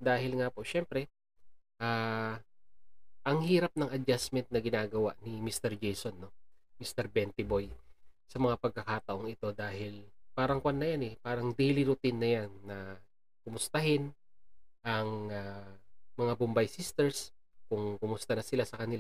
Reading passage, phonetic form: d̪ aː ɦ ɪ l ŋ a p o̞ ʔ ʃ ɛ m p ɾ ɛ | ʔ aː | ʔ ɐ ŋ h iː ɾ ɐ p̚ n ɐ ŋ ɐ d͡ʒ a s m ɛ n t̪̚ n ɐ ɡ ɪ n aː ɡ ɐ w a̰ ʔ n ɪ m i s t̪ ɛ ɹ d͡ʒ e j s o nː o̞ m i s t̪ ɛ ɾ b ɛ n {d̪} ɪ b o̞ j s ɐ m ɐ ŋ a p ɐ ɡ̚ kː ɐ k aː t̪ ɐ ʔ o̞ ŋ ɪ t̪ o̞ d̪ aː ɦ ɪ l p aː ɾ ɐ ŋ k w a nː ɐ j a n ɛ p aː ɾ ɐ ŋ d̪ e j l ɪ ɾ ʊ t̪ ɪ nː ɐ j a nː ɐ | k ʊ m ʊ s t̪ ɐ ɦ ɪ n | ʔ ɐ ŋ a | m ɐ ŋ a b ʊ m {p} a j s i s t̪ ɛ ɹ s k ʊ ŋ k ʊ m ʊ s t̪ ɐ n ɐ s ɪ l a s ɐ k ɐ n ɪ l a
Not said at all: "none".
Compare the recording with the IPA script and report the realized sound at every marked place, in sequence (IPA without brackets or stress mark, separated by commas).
t̪, b